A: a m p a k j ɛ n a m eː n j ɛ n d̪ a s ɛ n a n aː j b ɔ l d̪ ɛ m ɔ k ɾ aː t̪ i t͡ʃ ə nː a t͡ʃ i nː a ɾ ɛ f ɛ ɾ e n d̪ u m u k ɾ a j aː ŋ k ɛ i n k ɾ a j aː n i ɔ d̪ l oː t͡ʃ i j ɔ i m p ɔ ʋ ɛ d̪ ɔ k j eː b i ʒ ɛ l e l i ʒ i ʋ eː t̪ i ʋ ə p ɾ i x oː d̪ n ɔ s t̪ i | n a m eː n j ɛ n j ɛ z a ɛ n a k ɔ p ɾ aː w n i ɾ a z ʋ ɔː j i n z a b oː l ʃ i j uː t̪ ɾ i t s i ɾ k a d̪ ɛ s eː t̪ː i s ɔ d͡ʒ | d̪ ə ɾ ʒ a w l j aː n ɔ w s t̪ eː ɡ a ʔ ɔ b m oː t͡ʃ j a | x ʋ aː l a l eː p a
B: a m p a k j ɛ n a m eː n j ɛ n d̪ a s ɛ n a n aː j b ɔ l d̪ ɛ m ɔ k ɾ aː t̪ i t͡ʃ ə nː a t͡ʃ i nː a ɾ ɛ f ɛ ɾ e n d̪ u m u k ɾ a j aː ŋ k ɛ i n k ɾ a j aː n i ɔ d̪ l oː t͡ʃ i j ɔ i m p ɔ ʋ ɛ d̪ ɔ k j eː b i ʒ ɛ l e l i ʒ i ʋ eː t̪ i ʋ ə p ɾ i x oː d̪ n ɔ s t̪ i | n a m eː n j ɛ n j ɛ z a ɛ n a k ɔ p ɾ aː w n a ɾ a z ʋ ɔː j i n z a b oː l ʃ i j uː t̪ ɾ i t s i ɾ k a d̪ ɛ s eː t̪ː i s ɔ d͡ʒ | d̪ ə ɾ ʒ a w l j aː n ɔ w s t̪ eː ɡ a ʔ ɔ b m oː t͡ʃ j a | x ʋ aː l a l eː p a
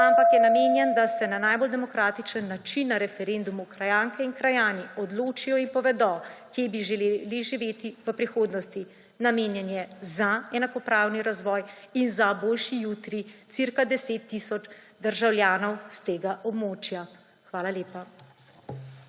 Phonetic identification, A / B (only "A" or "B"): A